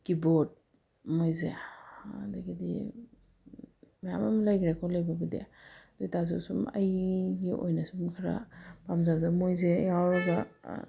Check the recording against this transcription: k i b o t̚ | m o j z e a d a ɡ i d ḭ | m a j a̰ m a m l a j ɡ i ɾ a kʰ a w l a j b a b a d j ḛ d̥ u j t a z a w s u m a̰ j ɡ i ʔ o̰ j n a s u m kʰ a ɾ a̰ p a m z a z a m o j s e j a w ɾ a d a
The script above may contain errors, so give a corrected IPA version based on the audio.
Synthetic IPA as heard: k i b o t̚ | m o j z e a d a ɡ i d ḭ | m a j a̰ m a m l a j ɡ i ɾ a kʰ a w l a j b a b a d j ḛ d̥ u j t a z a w s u m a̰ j ɡ i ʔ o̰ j n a s u m kʰ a ɾ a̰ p a m z a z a m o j z e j a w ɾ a ɡ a